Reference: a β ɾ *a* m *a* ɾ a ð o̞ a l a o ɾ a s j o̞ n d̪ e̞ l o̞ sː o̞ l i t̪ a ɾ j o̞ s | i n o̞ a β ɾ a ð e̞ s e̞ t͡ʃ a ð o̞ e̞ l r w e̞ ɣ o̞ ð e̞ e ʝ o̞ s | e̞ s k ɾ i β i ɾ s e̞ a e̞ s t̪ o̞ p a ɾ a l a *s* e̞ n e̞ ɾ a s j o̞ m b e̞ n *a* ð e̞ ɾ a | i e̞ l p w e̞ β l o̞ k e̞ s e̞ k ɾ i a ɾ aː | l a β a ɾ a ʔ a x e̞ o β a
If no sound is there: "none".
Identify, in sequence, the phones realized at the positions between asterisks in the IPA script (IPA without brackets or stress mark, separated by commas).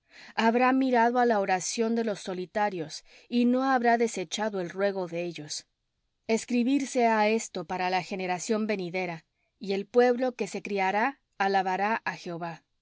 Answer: a, i, x, i